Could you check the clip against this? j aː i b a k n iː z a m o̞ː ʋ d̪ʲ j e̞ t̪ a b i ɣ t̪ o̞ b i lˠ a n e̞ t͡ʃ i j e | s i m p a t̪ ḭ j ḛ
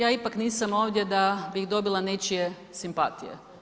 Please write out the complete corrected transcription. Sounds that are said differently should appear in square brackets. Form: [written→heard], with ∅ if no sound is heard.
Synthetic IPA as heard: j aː i [b→p] a k n iː [z→s] a m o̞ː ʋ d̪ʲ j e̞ [t̪→d̪] a b i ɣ [t̪→d̪] o̞ b i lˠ a n e̞ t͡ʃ i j e | s i m p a t̪ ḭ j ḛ